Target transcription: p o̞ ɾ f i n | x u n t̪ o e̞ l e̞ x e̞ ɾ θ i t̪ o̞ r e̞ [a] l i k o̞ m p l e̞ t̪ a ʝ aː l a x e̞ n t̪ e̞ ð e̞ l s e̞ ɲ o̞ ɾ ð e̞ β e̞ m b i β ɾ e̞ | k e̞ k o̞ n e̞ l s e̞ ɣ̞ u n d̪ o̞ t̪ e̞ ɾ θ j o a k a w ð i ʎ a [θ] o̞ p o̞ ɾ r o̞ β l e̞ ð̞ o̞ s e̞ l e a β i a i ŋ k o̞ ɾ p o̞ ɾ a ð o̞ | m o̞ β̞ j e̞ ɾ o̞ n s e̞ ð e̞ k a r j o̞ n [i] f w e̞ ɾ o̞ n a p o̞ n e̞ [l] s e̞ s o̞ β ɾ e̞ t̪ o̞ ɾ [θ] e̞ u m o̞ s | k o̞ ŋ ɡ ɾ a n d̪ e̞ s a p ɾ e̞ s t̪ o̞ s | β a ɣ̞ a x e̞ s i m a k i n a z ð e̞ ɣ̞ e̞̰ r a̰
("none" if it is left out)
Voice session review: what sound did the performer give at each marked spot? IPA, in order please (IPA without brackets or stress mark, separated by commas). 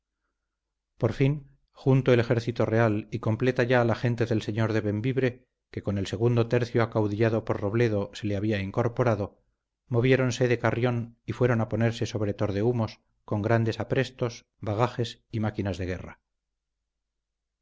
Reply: a, ð, i, ɾ, ð